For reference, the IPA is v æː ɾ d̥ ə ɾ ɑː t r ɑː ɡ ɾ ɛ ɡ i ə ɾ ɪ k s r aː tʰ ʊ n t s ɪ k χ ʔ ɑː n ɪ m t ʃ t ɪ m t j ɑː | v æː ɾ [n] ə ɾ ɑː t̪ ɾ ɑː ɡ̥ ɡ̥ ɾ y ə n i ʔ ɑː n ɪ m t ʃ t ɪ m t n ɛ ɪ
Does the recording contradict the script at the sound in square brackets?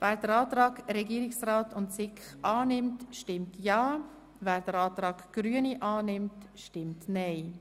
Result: yes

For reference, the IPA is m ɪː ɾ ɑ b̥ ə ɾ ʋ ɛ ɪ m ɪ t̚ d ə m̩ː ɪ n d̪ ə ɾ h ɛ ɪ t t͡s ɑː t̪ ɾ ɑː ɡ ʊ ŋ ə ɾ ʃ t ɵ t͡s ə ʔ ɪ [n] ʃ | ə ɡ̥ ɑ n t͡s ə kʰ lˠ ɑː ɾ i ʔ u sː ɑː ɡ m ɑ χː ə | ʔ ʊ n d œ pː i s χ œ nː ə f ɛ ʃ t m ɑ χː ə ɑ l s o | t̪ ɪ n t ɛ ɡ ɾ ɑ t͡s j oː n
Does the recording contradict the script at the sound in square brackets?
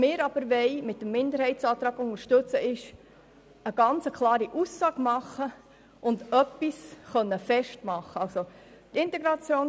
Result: yes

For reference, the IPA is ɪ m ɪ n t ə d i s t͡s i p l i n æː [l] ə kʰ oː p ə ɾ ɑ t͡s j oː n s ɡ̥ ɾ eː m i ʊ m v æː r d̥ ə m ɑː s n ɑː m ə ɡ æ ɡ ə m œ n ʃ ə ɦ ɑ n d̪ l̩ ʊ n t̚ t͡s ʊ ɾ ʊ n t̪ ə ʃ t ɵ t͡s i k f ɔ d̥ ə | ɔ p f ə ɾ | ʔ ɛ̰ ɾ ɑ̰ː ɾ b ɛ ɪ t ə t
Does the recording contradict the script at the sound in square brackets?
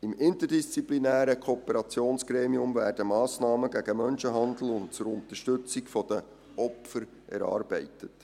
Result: yes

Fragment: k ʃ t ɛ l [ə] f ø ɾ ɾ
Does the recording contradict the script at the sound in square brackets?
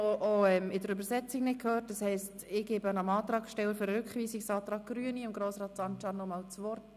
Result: no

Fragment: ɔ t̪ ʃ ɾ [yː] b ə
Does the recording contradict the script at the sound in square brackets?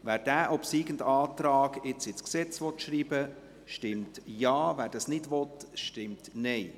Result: yes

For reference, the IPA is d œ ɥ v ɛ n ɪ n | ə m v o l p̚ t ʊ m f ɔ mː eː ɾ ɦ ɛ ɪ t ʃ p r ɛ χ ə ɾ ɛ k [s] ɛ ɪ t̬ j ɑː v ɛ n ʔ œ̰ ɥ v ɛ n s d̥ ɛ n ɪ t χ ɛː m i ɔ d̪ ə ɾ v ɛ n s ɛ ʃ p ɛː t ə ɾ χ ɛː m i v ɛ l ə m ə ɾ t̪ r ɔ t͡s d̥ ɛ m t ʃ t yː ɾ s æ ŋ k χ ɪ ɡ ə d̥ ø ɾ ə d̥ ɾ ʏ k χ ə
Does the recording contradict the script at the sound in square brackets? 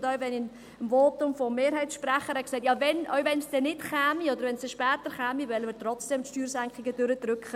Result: no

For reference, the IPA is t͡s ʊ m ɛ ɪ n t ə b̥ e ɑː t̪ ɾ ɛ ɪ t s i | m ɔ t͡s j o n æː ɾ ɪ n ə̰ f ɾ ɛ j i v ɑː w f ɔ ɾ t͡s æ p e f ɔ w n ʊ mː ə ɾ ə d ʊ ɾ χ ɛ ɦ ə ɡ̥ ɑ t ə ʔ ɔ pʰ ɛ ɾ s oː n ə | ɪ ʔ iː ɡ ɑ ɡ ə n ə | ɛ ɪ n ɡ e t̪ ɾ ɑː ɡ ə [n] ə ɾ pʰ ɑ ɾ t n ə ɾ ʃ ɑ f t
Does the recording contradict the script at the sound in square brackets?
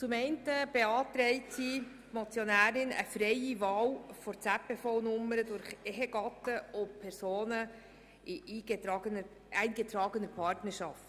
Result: no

